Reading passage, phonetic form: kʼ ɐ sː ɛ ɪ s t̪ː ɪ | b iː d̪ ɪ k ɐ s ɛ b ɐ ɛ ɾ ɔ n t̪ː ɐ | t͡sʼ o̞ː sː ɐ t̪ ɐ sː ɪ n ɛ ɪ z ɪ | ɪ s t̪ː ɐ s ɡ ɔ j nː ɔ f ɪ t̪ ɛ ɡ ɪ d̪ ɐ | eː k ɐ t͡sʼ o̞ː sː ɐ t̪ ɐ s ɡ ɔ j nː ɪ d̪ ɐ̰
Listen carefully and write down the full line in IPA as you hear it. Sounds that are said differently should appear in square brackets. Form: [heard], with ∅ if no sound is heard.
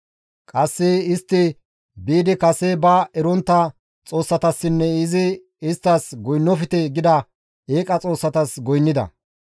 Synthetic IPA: kʼ ɐ sː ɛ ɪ s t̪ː ɪ | b iː d̪ ɪ k ɐ s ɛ b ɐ ɛ ɾ ɔ n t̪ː ɐ | t͡sʼ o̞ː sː ɐ t̪ ɐ sː ɪ [nː] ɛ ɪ z ɪ | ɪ s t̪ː ɐ s ɡ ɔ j nː ɔ f ɪ t̪ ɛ ɡ ɪ d̪ ɐ | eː [kʼ] ɐ t͡sʼ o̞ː sː ɐ t̪ ɐ s ɡ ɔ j nː ɪ d̪ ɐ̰